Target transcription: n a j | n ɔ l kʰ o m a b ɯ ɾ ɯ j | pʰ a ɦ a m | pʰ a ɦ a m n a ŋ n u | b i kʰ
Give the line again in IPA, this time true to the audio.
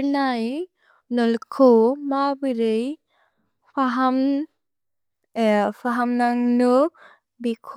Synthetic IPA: n a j | n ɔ l kʰ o m a b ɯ ɾ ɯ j | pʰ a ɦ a m | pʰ a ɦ a m n a ŋ n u | b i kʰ